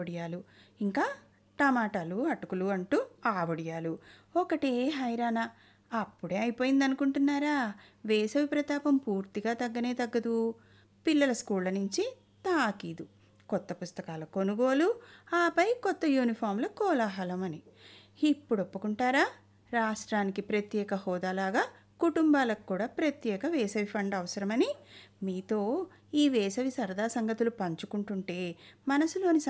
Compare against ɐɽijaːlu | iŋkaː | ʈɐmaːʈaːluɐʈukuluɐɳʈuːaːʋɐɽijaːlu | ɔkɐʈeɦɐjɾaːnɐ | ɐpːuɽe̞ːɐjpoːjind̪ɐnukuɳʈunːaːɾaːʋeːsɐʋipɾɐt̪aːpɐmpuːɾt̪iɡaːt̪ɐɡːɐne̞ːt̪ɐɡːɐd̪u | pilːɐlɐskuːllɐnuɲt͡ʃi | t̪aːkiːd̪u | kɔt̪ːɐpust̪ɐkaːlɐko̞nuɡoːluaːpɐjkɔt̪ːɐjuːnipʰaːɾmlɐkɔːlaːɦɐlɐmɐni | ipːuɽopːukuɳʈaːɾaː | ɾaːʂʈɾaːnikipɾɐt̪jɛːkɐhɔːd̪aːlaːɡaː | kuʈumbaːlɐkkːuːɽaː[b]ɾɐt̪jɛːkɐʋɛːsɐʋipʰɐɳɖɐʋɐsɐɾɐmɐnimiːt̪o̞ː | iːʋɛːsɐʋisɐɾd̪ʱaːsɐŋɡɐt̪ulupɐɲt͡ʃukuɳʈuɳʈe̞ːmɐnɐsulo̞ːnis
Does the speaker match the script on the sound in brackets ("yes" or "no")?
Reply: no